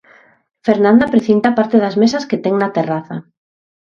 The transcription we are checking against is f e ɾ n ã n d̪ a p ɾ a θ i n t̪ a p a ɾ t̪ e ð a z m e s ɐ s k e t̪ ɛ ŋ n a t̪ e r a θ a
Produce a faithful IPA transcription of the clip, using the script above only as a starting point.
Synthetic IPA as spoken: f e ɾ n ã n d̪ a p ɾ e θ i n t̪ a p a ɾ t̪ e ð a z m e s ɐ s k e t̪ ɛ ŋ n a t̪ e r a θ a

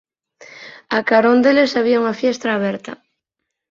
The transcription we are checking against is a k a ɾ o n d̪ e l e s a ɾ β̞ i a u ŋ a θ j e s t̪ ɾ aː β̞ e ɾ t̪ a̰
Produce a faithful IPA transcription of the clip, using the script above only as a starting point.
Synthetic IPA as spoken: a k a ɾ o n d̪ e l e s a β̞ i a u ŋ a f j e s t̪ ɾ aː β̞ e ɾ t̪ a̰

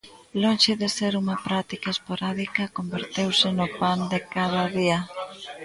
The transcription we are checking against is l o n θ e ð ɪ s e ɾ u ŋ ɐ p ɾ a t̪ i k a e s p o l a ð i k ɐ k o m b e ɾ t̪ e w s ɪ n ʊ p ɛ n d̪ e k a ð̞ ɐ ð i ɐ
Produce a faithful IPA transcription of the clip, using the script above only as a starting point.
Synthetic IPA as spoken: l o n ʃ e ð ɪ s e ɾ u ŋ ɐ p ɾ a t̪ i k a e s p o ɾ a ð i k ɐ k o m b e ɾ t̪ e w s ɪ n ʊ p a n d̪ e k a ð̞ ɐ ð i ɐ

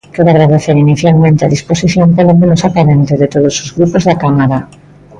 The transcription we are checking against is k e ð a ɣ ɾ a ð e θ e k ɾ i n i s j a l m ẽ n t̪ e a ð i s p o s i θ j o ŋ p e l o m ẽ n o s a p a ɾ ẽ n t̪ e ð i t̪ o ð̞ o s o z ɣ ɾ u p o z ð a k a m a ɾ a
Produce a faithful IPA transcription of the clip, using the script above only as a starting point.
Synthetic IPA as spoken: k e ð a ɣ ɾ a ð e θ e ɾ i n i θ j a l m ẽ n t̪ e a ð i s p o s i θ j o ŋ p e l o m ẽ n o s a p a ɾ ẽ n t̪ e ð e t̪ o ð̞ o s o z ɣ ɾ u p o z ð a k a m a ɾ a

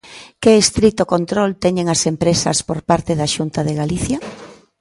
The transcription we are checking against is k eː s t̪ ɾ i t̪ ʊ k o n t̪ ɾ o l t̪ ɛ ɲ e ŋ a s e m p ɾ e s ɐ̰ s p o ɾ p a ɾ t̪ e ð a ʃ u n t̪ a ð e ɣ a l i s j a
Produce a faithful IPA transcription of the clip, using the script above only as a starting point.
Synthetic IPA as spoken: k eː s t̪ ɾ i t̪ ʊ k o n t̪ ɾ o l t̪ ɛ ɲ e ŋ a s e m p ɾ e s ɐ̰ s p o ɾ p a ɾ t̪ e ð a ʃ u n t̪ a ð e ɣ a l i θ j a

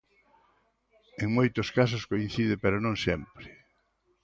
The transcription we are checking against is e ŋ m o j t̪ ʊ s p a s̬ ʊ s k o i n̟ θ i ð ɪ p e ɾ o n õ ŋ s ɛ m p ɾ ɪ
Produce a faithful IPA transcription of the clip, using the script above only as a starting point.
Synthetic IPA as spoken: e ŋ m o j t̪ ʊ s k a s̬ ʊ s k o i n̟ θ i ð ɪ p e ɾ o n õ ŋ s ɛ m p ɾ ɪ

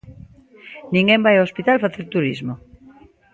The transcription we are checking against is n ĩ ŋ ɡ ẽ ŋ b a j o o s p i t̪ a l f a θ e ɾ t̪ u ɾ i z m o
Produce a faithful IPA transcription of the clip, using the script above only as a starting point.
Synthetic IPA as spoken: n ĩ ŋ ɡ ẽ m b a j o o s p i t̪ a l f a θ e ɾ t̪ u ɾ i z m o

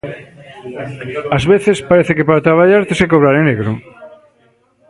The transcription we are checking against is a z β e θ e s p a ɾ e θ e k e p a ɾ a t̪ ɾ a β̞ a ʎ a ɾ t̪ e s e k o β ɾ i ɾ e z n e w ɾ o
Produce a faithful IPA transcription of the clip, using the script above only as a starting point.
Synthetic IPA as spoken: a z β e θ e s p a ɾ e θ e k e p a ɾ a t̪ ɾ a β̞ a ʎ a ɾ t̪ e s e k o β ɾ a ɾ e n e ɣ ɾ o

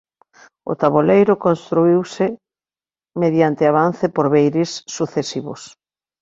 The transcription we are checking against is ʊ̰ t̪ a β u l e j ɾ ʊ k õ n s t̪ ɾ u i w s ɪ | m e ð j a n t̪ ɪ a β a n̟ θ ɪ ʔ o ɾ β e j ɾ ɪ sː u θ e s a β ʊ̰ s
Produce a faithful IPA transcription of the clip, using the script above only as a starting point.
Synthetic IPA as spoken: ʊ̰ t̪ a β o l e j ɾ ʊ k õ n s t̪ ɾ u i w s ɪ | m e ð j a n t̪ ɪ a β a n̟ θ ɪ p o ɾ β e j ɾ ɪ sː u θ e s i β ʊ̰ s

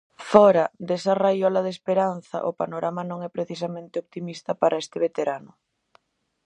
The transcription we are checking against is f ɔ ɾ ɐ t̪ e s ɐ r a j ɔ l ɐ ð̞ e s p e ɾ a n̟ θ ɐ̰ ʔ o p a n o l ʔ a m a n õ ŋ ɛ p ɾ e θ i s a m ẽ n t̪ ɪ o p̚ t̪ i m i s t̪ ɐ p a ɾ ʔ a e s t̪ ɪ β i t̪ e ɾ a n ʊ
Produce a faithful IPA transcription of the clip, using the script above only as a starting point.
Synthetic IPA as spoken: f ɔ ɾ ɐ d̪ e s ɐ r a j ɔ l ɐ ð̞ e s p e ɾ a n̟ θ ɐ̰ ʔ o p a n o ɾ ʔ a m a n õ ŋ ɛ p ɾ e θ i s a m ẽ n t̪ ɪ o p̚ t̪ i m i s t̪ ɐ p a ɾ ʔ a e s t̪ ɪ β e t̪ e ɾ a n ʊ

